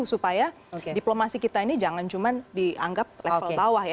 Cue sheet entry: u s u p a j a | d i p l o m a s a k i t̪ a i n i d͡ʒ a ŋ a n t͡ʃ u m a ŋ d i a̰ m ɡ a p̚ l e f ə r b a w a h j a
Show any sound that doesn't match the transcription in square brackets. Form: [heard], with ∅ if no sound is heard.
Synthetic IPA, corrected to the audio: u s u p a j a | d i p l o m a s [i] k i t̪ a i n i d͡ʒ a ŋ a n t͡ʃ u m a [n] d i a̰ [ŋ] ɡ a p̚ l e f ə [l] b a w a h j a